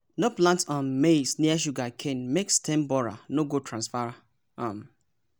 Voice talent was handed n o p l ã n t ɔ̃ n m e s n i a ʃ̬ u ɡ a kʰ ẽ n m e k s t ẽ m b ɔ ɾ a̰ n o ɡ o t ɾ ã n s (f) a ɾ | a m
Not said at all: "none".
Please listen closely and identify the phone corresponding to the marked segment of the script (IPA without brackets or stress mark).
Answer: f